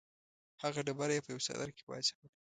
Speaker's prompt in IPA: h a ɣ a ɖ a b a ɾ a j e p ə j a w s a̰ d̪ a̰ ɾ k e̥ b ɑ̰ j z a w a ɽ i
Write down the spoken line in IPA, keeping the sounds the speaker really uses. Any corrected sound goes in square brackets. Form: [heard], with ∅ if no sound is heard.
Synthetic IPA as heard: h a ɣ a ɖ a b a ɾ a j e p ə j a w s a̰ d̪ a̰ ɾ k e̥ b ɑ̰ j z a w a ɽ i